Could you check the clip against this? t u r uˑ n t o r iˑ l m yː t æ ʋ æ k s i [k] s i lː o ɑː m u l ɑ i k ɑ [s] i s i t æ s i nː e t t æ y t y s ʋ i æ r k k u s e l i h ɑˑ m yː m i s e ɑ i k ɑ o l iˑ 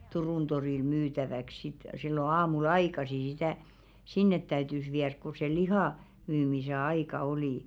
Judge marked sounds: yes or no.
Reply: no, yes

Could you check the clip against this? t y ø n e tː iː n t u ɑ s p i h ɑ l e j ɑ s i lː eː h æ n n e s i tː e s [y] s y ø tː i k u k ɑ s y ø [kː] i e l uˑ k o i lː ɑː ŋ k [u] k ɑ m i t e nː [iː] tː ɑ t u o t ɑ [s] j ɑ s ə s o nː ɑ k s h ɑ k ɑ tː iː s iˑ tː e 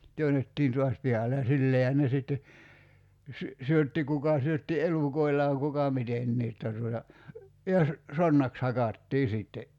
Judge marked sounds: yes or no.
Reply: yes, no, yes, yes, no

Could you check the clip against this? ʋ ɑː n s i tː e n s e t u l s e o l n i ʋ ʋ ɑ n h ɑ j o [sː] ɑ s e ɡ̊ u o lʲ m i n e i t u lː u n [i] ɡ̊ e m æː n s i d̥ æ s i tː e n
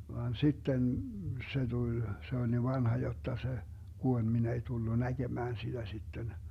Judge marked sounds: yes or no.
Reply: no, no

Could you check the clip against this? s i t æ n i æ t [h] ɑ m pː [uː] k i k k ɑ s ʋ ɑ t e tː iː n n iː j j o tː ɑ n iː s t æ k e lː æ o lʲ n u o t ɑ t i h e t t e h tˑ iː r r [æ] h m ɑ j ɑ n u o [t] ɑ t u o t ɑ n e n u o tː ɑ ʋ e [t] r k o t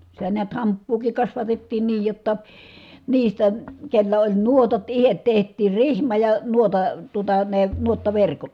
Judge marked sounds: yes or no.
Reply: yes, yes, no, yes, no

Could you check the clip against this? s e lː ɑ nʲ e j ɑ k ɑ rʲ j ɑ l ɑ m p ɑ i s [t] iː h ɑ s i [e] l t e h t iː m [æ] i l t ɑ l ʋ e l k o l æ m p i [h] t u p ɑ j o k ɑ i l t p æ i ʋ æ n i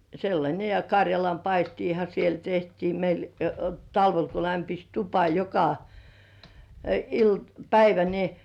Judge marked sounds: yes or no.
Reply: yes, yes, no, no

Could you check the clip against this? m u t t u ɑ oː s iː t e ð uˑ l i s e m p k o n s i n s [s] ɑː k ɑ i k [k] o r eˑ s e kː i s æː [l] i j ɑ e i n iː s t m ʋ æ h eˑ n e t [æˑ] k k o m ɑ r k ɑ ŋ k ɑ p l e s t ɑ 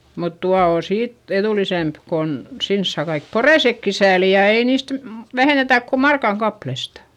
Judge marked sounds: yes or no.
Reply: yes, no, yes, yes

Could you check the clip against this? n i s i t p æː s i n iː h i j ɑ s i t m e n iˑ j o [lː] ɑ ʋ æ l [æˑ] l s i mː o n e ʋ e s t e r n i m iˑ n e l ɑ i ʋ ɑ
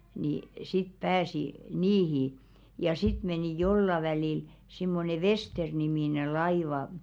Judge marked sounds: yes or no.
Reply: yes, no

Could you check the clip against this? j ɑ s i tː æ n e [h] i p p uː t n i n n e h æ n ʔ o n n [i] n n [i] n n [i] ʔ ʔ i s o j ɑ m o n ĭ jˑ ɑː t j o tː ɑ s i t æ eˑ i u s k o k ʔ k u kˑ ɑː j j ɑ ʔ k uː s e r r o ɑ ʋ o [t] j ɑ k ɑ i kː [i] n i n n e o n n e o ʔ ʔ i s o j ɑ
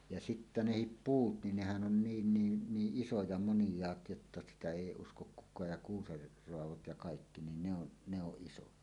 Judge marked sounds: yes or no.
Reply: yes, no, no, no, yes, yes

